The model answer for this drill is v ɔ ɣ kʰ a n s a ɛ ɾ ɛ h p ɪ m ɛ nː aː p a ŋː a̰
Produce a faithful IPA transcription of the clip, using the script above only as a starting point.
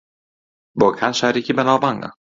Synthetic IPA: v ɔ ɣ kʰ a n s a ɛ ɾ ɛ h c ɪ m ɛ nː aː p a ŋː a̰

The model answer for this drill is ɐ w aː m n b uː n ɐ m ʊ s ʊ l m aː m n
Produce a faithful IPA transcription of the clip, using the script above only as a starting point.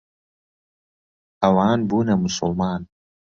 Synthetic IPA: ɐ w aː n b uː n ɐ m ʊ s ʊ l m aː n

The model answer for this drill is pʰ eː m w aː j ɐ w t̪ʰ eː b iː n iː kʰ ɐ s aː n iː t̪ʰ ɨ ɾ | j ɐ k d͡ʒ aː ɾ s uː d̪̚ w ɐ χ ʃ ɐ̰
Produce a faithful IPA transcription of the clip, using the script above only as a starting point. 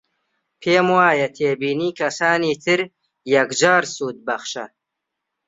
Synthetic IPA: pʰ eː m w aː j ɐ t̪ʰ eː b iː n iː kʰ ɐ s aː n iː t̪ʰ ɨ ɾ | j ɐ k d͡ʒ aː ɾ s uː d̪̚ b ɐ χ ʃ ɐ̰

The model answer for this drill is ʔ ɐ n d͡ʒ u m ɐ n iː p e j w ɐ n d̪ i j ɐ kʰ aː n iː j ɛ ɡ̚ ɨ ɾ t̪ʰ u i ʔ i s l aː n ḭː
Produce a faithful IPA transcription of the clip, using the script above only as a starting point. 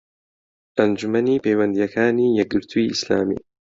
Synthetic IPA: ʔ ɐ n d͡ʒ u m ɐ n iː p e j w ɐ n d̪ i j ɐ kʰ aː n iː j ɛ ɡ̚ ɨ ɾ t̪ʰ u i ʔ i s l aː m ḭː

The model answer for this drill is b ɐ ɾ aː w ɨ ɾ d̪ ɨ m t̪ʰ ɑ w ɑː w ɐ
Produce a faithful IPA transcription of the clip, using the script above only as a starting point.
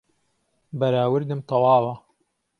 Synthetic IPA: b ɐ ɾ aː w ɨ ɾ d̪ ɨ m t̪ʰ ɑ w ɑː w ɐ

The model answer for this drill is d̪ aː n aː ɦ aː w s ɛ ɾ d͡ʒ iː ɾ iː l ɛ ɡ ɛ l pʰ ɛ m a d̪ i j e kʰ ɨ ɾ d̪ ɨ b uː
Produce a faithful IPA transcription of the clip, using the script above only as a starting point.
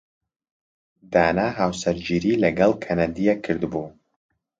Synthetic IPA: d̪ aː n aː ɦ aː w s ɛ ɾ d͡ʒ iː ɾ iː l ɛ ɡ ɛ l kʰ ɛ n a d̪ i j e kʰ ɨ ɾ d̪ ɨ b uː

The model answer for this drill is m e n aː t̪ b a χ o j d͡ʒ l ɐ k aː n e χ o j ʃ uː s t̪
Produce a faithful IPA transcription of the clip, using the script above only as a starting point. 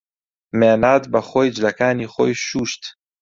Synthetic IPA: m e n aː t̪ b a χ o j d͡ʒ l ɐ k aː n i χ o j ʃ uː ʃ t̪

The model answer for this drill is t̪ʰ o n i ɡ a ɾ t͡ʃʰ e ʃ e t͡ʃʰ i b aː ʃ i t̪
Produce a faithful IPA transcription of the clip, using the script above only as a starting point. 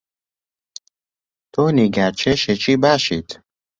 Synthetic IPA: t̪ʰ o n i ɡ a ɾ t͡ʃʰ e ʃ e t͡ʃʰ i b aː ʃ i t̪

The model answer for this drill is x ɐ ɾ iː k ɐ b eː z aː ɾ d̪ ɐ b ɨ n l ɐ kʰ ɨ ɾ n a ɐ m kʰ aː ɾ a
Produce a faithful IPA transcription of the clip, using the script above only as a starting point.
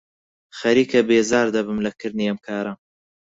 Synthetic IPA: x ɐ ɾ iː k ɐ b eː z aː ɾ d̪ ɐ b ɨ m l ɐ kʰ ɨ ɾ n i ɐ m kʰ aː ɾ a

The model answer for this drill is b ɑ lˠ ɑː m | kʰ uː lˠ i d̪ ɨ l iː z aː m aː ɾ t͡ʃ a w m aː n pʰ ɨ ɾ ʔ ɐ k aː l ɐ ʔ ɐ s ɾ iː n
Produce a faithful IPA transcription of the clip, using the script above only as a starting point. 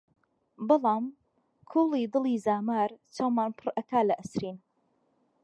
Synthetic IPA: b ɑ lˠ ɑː m | kʰ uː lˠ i d̪ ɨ l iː z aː m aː ɾ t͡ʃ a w m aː n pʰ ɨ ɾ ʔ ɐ k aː l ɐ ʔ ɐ s ɾ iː n

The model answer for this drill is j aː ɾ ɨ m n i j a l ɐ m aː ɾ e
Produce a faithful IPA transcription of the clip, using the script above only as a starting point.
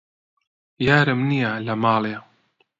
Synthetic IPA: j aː ɾ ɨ m n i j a l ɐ m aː l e

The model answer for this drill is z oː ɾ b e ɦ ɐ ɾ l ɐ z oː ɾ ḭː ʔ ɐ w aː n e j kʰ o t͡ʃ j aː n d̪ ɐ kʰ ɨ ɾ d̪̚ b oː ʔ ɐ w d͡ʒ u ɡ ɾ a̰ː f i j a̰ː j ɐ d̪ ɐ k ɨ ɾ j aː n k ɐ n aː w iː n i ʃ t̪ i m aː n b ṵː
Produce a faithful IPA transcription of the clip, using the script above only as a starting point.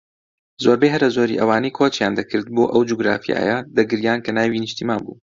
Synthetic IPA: z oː ɾ b e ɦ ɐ ɾ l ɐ z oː ɾ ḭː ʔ ɐ w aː n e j kʰ o t͡ʃ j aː n d̪ ɐ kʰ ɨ ɾ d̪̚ b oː ʔ ɐ w d͡ʒ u ɡ ɾ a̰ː f i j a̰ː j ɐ d̪ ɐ ɡ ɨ ɾ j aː n k ɐ n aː w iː n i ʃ t̪ i m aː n b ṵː

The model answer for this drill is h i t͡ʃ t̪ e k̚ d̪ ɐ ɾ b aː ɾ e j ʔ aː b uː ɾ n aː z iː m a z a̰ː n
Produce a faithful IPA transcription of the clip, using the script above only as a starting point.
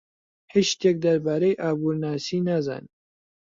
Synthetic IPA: h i t͡ʃ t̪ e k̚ d̪ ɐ ɾ b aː ɾ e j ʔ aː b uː ɾ n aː s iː n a z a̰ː n

